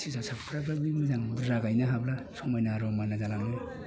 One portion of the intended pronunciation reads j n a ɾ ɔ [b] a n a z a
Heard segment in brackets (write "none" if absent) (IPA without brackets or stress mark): m